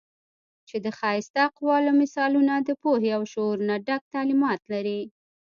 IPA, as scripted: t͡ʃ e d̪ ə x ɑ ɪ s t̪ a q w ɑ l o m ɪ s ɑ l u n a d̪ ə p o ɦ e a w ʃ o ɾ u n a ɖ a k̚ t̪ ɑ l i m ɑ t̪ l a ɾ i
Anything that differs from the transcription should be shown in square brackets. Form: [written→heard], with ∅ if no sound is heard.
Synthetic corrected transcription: t͡ʃ e d̪ ə x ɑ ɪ s t̪ a q w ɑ l o m ɪ s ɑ l u n a d̪ ə p o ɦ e a w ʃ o ɾ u n a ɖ a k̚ t̪ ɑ l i m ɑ t̪ l a ɾ i